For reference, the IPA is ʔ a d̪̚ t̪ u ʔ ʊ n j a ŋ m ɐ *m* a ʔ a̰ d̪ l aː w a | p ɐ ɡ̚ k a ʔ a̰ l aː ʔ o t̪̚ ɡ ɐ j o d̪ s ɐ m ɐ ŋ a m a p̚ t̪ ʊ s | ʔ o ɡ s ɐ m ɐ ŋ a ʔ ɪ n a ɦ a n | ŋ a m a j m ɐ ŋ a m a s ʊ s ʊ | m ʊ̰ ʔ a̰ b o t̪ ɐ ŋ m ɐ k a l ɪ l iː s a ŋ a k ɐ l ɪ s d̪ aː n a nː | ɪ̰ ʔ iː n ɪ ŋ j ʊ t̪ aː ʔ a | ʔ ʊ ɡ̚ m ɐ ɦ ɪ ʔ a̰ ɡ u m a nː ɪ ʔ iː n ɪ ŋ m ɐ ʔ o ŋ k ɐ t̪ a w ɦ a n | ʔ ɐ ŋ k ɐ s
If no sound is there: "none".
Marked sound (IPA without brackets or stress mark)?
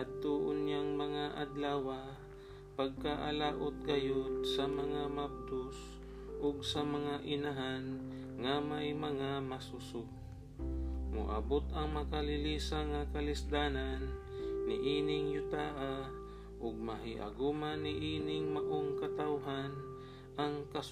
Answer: ŋ